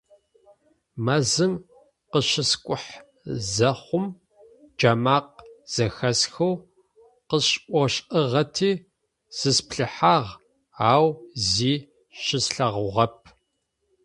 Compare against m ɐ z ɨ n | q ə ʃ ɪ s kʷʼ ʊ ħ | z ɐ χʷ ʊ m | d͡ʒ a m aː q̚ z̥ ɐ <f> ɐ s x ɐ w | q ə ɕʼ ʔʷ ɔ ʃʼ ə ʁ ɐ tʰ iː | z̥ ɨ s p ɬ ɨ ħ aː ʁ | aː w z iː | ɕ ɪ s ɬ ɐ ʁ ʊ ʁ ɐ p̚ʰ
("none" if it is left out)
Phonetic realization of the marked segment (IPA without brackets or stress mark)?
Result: x